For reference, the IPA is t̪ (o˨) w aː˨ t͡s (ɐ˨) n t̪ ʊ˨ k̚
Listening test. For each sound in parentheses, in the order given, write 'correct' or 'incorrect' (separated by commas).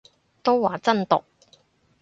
incorrect, incorrect